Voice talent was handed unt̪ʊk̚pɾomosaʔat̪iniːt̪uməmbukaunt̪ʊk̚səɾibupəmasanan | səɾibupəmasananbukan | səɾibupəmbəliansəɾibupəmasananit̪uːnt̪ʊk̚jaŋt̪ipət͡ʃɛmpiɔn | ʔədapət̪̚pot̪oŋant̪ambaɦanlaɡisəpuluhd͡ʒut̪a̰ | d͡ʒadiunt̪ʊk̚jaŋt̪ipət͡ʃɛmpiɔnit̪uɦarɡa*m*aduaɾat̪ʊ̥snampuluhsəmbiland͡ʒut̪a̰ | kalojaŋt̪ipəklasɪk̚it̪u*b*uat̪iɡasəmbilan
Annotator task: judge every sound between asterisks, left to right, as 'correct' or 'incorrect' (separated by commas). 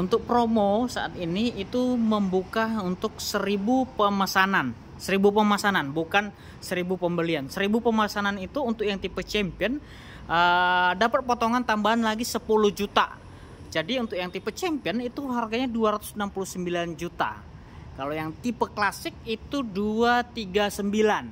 incorrect, incorrect